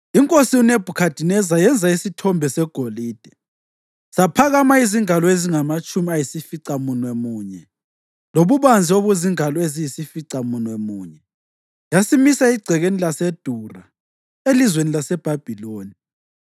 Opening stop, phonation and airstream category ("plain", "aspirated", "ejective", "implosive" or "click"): ejective